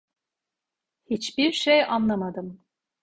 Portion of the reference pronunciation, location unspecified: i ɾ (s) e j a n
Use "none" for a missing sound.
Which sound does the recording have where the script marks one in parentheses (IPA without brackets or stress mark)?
ʃ